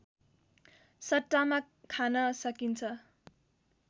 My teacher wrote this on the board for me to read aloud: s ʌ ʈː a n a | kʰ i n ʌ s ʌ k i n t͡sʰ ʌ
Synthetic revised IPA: s ʌ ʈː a m a | kʰ a n ʌ s ʌ k i n t͡sʰ ʌ